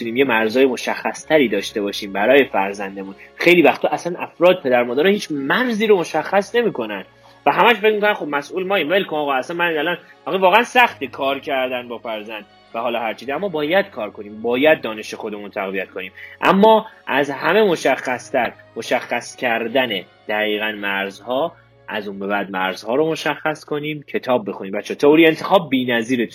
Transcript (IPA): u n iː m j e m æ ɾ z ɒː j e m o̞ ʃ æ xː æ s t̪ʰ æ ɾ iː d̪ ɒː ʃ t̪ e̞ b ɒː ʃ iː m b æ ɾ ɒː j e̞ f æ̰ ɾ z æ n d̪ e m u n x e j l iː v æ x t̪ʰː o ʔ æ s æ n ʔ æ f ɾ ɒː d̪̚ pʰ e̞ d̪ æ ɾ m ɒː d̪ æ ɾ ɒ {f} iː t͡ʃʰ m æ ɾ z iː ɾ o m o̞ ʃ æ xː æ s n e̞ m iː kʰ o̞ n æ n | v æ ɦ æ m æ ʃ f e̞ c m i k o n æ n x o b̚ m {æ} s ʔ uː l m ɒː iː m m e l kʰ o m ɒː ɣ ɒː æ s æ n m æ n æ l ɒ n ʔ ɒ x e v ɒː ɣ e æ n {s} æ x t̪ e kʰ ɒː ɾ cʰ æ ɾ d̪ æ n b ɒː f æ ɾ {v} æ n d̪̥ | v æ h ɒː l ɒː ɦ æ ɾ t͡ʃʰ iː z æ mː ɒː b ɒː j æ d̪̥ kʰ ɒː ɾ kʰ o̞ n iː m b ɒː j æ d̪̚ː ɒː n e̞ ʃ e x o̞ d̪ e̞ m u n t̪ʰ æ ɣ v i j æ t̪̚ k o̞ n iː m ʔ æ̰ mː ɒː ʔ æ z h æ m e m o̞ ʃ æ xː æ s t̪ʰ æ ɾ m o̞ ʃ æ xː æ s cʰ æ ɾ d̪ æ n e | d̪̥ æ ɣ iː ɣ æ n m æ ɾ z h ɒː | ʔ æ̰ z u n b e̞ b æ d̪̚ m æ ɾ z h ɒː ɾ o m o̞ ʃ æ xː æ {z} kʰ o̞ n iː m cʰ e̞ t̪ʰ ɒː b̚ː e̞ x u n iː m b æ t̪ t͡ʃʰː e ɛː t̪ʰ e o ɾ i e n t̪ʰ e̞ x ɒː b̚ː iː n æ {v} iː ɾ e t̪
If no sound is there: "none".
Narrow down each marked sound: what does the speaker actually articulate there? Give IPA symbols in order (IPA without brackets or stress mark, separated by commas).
h, æ, s, z, s, z